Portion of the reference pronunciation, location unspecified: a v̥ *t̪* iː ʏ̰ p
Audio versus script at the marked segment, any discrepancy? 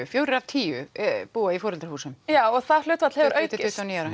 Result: yes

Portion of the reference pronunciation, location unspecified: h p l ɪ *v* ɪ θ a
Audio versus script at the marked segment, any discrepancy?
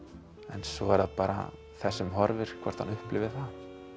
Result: no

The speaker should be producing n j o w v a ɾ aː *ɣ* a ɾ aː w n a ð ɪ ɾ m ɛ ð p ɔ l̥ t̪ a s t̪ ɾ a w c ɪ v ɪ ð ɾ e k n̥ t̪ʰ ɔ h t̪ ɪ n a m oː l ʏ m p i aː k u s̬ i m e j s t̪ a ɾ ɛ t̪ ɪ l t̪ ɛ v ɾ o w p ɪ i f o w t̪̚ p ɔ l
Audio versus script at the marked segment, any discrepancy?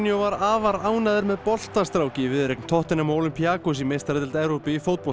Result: yes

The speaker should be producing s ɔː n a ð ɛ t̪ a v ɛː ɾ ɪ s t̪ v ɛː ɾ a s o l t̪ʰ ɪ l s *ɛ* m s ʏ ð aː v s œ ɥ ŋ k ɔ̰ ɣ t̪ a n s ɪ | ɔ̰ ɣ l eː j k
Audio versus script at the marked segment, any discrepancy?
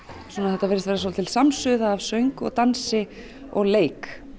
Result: yes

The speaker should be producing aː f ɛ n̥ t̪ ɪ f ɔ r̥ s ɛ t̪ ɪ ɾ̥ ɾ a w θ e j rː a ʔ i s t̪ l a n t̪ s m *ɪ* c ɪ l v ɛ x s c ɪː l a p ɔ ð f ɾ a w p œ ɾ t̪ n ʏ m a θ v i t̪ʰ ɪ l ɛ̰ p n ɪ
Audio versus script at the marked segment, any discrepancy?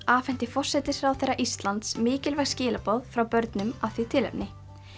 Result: yes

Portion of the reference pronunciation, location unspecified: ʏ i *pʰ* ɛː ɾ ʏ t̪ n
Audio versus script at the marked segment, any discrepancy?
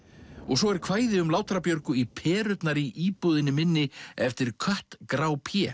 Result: no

